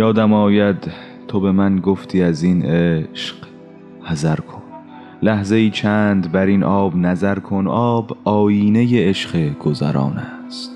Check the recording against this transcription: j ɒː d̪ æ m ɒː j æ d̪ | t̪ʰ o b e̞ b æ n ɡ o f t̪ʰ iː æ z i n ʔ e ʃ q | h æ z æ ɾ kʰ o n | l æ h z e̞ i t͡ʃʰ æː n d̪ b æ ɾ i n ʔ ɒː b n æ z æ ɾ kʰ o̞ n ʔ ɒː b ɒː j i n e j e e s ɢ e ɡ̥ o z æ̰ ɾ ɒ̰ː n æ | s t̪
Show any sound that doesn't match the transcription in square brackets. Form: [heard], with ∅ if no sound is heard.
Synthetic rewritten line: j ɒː d̪ æ m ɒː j æ d̪ | t̪ʰ o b e̞ [m] æ n ɡ o f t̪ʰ iː æ z i n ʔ e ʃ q | h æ z æ ɾ kʰ o n | l æ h z e̞ [iː] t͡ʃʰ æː n d̪ b æ ɾ i n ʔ ɒː b n æ z æ ɾ kʰ o̞ n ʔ ɒː b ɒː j [iː] n e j e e [ʃ] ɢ e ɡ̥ o z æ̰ ɾ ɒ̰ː n æ | s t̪